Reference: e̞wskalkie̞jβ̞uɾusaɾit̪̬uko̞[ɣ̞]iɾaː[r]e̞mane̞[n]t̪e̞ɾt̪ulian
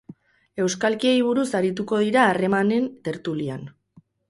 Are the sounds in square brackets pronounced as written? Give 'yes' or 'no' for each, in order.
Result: no, yes, yes

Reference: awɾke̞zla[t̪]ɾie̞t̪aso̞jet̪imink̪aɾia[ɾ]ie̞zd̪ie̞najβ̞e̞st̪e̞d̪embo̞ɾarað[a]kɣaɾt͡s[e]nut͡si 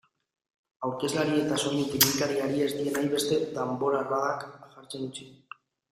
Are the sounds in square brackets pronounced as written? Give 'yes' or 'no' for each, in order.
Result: no, yes, yes, yes

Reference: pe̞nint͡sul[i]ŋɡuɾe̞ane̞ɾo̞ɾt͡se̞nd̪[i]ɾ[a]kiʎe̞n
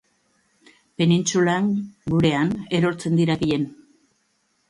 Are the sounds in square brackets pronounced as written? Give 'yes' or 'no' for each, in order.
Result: no, yes, yes

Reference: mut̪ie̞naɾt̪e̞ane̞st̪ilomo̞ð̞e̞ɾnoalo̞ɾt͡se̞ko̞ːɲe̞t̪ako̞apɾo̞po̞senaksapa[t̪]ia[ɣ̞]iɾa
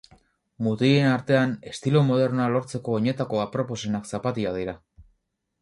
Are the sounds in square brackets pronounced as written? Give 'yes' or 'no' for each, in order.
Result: yes, no

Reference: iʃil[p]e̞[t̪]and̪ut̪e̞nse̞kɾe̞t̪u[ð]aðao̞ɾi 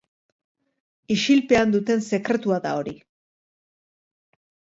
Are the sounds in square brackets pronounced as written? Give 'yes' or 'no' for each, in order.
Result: yes, no, no

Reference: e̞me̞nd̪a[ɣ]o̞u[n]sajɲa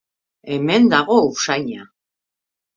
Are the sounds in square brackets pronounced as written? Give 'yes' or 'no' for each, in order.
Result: yes, no

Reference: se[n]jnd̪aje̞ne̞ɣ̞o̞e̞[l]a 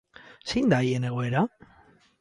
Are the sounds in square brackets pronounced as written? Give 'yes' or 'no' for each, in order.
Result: no, no

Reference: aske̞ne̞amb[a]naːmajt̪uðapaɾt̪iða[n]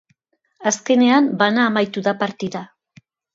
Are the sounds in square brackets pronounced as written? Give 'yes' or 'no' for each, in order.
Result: yes, no

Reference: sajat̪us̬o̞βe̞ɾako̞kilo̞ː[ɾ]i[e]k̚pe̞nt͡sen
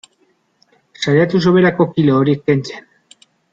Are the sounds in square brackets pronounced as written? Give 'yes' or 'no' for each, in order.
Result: yes, yes

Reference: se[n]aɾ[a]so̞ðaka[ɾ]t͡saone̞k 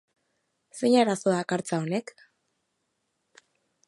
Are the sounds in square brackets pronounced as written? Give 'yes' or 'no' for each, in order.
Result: no, yes, yes

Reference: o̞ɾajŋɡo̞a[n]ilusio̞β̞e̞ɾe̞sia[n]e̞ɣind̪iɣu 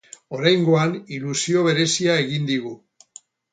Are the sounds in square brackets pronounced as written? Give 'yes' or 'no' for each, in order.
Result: yes, no

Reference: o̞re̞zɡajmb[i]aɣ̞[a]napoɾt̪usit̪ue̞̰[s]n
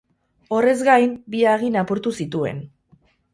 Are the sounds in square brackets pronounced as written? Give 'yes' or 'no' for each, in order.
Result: yes, no, no

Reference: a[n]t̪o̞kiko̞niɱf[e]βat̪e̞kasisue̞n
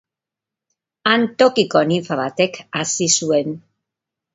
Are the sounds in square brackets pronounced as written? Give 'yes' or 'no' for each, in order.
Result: yes, no

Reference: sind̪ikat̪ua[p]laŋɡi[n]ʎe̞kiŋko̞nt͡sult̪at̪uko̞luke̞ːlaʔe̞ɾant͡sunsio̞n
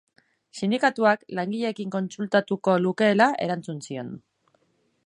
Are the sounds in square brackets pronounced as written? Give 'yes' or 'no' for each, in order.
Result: no, no

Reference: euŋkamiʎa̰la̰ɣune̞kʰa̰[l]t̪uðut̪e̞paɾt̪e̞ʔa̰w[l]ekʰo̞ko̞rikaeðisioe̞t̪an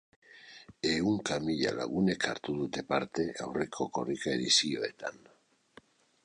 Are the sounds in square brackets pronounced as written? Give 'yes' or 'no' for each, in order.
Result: no, no

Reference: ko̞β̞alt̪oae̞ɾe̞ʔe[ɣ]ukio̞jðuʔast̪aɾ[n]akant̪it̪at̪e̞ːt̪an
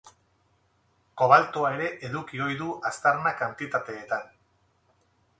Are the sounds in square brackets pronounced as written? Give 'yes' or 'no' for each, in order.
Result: no, yes

